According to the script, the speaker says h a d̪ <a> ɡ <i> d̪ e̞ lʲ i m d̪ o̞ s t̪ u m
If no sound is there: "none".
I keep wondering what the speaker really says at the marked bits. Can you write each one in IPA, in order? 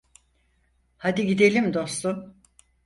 i, i

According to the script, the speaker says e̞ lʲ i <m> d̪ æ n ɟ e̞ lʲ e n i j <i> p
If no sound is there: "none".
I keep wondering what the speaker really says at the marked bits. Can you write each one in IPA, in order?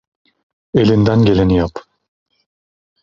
n, a

